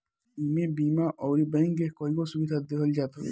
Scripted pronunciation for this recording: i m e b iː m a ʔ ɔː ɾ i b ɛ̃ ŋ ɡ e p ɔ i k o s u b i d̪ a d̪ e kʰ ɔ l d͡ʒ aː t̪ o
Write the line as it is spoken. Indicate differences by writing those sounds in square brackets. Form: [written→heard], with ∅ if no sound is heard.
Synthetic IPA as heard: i m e b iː m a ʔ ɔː ɾ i b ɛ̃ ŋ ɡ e [p→k] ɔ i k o s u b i d̪ a d̪ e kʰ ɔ l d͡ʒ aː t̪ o